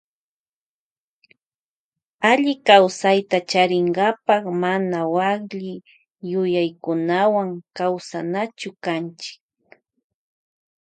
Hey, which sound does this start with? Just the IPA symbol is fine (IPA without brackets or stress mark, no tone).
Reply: a